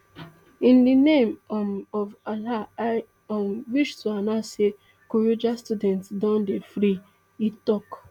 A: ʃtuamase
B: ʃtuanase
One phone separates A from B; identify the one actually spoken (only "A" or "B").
B